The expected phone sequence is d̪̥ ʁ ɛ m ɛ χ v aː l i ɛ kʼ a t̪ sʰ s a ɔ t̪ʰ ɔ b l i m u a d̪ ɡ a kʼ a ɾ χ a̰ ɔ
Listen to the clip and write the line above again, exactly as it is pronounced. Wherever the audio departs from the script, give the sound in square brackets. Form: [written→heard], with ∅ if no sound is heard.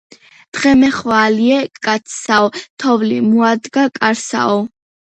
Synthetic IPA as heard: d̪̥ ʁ ɛ m ɛ χ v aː l i ɛ kʼ a t̪ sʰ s a ɔ t̪ʰ ɔ [b→v] l i m u a d̪ ɡ a kʼ a ɾ [χ→s] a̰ ɔ

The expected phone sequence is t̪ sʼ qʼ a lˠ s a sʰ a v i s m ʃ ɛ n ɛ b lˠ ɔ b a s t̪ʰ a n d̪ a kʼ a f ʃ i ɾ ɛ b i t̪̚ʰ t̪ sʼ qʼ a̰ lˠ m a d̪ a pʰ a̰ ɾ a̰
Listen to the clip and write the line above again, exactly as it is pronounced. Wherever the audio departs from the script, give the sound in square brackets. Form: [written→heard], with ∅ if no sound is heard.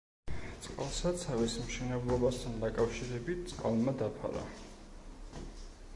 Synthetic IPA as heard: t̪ sʼ qʼ a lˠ s a sʰ a v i s m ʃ ɛ n ɛ b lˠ ɔ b a s t̪ʰ a n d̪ a kʼ a f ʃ i ɾ ɛ b i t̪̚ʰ t̪ sʼ qʼ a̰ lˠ m a d̪ a pʰ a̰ ɾ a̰

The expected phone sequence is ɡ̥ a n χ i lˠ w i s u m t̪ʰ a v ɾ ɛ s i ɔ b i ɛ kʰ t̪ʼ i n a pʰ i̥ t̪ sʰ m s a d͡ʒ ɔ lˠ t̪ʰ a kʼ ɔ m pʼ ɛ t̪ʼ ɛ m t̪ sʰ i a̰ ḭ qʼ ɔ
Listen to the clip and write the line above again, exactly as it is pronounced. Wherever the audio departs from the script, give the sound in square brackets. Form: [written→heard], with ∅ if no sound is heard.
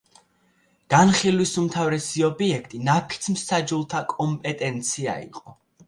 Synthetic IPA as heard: ɡ̥ a n χ i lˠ w i s u m t̪ʰ a v ɾ ɛ s i ɔ b i ɛ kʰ t̪ʼ i n a pʰ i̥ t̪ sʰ m s a d͡ʒ [ɔ→u] lˠ t̪ʰ a kʼ ɔ m pʼ ɛ t̪ʼ ɛ [m→n] t̪ sʰ i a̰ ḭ qʼ ɔ

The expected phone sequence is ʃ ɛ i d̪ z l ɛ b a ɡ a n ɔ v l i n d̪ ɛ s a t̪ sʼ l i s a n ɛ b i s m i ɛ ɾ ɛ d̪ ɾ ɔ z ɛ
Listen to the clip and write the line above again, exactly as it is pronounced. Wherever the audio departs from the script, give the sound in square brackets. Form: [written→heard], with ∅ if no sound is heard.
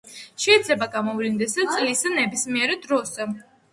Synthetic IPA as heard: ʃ ɛ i d̪ z l ɛ b a ɡ a [n→m] ɔ v l i n d̪ ɛ s a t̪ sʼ l i s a n ɛ b i s m i ɛ ɾ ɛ d̪ ɾ ɔ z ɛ

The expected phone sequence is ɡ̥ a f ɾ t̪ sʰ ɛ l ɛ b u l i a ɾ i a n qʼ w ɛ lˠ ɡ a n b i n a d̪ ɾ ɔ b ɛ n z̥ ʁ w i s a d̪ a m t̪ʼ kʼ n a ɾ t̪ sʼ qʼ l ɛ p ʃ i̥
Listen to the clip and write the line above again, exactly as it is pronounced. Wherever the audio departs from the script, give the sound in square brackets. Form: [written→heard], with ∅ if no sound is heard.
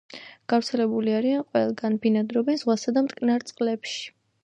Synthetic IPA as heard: ɡ̥ a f ɾ t̪ sʰ ɛ l ɛ b u l i a ɾ i a n qʼ w ɛ lˠ ɡ a n b i n a d̪ ɾ ɔ b ɛ n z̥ ʁ w [i→a] s a d̪ a m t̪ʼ kʼ n a ɾ t̪ sʼ qʼ l ɛ p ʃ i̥

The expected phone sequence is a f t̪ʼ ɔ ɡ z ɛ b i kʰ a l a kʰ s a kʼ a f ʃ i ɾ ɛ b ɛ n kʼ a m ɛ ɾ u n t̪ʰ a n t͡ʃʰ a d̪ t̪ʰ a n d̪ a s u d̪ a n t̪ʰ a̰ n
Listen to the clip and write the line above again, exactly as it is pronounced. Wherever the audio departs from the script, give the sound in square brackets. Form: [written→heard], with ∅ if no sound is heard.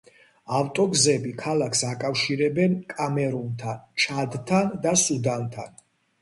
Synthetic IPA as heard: a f t̪ʼ ɔ ɡ z ɛ b i kʰ a l a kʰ s a kʼ a f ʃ i ɾ ɛ b ɛ n kʼ a m ɛ ɾ u n t̪ʰ a n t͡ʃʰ a d̪ t̪ʰ a n d̪ a s u d̪ a n t̪ʰ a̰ n

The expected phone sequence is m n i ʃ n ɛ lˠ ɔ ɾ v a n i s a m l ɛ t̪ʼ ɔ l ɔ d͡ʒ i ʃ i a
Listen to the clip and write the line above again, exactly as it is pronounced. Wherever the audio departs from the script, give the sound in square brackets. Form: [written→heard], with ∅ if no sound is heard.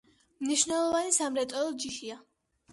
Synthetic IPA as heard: m n i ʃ n ɛ lˠ ɔ [ɾ→∅] v a n i s a m [l→ɾ] ɛ t̪ʼ ɔ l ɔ d͡ʒ i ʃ i a

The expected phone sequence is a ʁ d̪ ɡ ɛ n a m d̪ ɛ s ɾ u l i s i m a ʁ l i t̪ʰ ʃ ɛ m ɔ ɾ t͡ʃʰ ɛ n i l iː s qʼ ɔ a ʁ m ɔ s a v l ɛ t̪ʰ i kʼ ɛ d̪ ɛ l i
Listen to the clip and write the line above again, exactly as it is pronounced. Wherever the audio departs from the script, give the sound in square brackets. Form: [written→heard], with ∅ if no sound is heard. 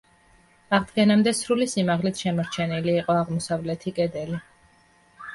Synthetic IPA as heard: a ʁ d̪ ɡ ɛ n a m d̪ ɛ s ɾ u l i s i m a ʁ l i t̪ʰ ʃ ɛ m ɔ ɾ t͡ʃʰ ɛ n i l iː [s→∅] qʼ ɔ a ʁ m ɔ s a v l ɛ t̪ʰ i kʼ ɛ d̪ ɛ l i

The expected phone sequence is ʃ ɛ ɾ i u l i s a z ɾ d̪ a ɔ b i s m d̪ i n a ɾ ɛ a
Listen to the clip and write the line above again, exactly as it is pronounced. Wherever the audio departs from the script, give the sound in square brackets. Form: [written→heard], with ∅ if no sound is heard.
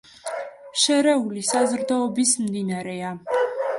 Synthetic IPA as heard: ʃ ɛ ɾ [i→ɛ] u l i s a z ɾ d̪ a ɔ b i s m d̪ i n a ɾ ɛ a

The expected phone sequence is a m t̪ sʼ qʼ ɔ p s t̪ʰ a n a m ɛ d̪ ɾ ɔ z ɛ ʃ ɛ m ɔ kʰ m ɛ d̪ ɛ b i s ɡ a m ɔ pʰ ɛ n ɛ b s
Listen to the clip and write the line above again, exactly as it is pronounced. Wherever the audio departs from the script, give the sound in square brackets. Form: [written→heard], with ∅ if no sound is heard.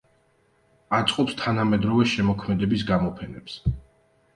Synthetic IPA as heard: a [m→∅] t̪ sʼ qʼ ɔ p s t̪ʰ a n a m ɛ d̪ ɾ ɔ [z→v] ɛ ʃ ɛ m ɔ kʰ m ɛ d̪ ɛ b i s ɡ a m ɔ pʰ ɛ n ɛ [b→p] s

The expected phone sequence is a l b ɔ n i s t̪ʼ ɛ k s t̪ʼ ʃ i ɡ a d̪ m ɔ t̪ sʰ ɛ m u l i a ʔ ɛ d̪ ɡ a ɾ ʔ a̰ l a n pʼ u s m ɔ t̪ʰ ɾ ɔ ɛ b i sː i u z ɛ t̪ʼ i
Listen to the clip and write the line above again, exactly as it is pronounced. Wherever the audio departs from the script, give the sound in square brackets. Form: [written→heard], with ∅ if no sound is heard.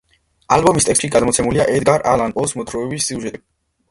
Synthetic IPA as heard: a l b ɔ [n→m] i s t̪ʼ ɛ k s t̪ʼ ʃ i ɡ a d̪ m ɔ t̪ sʰ ɛ m u l i a ʔ ɛ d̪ ɡ a ɾ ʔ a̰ l a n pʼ [u→ɔ] s m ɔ t̪ʰ ɾ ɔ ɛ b i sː i u [z→ʒ] ɛ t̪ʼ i

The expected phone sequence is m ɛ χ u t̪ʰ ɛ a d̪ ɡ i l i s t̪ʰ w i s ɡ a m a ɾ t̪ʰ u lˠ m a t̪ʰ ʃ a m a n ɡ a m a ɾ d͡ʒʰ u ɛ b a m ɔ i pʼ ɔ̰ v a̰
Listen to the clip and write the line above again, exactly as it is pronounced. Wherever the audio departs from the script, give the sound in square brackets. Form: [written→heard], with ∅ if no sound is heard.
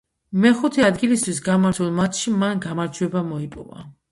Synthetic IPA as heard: m ɛ χ u t̪ʰ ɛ a d̪ ɡ i l i s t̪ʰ w i s ɡ a m a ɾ t̪ʰ u lˠ m a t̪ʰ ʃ [a→i] m a n ɡ a m a ɾ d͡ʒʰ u ɛ b a m ɔ i pʼ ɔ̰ v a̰

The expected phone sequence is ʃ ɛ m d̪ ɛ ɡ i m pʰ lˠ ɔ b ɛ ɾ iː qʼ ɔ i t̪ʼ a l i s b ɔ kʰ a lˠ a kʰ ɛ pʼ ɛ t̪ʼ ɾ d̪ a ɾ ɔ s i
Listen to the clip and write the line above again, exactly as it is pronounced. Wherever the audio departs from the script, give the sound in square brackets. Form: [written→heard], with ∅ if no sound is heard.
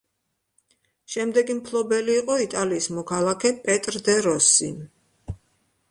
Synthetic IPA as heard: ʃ ɛ m d̪ ɛ ɡ i m pʰ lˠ ɔ b ɛ [ɾ→l] iː qʼ ɔ i t̪ʼ a l [i→iː] s [b→m] ɔ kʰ a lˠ a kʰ ɛ pʼ ɛ t̪ʼ ɾ d̪ [a→ɛ] ɾ ɔ s i

